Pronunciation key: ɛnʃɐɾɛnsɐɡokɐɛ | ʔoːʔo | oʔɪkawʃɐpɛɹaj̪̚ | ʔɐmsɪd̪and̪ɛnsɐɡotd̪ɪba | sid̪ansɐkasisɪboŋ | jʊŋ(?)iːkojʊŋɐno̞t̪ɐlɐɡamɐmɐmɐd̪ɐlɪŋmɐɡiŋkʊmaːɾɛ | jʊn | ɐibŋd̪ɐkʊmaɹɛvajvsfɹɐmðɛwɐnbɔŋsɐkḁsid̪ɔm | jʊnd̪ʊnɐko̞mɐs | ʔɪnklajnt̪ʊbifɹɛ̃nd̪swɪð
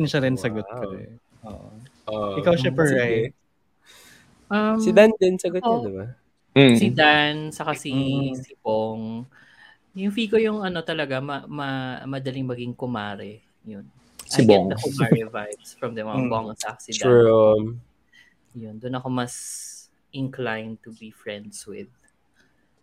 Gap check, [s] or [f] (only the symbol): f